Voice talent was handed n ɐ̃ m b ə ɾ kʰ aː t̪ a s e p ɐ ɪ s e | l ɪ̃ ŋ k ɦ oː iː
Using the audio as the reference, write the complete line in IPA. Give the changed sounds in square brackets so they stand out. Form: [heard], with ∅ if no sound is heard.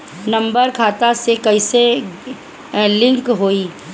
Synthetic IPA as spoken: n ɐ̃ m b ə ɾ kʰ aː t̪ a s e [k] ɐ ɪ s e | l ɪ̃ ŋ k ɦ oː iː

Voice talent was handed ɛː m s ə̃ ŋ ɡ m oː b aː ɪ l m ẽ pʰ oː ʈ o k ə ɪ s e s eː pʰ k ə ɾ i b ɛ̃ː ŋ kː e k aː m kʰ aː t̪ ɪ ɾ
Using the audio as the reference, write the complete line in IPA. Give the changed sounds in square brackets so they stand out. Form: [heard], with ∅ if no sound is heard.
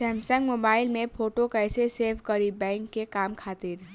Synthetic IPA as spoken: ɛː m s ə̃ ŋ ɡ m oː b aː ɪ l m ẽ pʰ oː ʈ o k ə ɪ s e s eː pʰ k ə ɾ i b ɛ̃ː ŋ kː e k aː m kʰ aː t̪ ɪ ɾ

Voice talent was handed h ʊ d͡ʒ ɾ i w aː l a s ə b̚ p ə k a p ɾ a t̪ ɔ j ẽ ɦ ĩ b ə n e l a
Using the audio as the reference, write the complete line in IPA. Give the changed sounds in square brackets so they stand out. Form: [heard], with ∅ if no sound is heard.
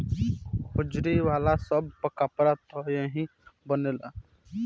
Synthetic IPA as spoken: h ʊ d͡ʒ ɾ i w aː l a s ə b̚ p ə k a p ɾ a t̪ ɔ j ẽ ɦ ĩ b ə n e l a

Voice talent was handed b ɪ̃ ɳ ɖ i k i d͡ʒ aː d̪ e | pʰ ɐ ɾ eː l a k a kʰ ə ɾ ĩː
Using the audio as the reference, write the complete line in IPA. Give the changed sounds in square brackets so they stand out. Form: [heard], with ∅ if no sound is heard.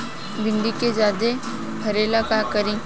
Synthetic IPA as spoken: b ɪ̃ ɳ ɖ i k [e] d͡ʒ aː d̪ e | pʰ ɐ ɾ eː l a k a [k] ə ɾ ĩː

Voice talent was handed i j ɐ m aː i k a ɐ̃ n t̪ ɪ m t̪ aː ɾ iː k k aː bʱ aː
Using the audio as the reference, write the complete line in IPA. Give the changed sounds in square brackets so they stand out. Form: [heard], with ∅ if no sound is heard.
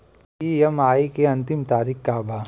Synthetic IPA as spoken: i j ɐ m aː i k [e] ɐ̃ n t̪ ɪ m t̪ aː ɾ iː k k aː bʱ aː

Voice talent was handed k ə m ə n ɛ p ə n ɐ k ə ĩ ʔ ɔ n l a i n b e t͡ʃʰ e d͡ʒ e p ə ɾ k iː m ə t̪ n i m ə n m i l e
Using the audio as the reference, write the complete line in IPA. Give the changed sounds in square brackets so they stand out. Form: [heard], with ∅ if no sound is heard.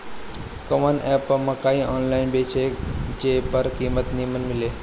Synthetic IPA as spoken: k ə m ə n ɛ p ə [m] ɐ k [a] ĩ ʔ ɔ n l a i n b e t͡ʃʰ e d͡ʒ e p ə ɾ k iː m ə t̪ n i m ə n m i l e

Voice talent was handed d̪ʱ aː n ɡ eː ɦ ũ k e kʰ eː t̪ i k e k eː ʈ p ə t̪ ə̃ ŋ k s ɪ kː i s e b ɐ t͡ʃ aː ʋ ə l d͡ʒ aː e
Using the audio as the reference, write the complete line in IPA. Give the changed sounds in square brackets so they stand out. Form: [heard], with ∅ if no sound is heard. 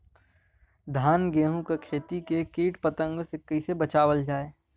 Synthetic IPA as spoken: d̪ʱ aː n ɡ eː ɦ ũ k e kʰ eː t̪ i k e k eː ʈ p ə t̪ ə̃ ŋ [ɡ] s ɪ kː i s e b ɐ t͡ʃ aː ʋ ə l d͡ʒ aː e

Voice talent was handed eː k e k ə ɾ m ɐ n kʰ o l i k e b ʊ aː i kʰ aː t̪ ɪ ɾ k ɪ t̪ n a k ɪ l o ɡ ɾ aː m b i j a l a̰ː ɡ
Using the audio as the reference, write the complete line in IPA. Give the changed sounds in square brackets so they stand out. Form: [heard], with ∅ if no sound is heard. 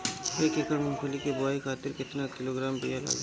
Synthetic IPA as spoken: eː k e k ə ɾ m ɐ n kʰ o l i k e b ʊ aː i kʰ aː t̪ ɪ ɾ k ɪ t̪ n a k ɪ l o ɡ ɾ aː m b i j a l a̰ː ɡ

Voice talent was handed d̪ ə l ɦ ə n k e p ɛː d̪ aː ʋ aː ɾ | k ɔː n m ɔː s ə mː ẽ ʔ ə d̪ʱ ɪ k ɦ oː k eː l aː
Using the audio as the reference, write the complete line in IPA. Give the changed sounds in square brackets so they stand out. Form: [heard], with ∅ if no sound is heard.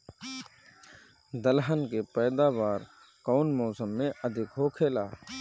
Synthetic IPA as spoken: d̪ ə l ɦ ə n k e p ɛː d̪ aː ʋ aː ɾ | k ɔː n m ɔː s ə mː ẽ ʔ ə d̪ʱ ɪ k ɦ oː [kʰ] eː l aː

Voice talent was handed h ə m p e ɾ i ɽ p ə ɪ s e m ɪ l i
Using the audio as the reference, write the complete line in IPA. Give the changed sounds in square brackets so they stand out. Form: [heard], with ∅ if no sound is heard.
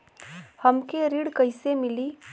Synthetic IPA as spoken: h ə m [k] e ɾ i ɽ [k] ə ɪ s e m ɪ l i

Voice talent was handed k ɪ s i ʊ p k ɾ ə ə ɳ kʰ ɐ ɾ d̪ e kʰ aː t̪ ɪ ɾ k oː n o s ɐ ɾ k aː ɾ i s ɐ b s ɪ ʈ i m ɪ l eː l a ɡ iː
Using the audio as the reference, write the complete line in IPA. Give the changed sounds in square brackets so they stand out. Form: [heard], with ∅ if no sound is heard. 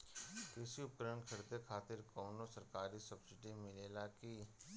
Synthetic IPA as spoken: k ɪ s i ʊ p k ɾ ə ə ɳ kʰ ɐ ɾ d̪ e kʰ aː t̪ ɪ ɾ k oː n o s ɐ ɾ k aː ɾ i s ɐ b s ɪ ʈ i m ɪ l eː l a [k] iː

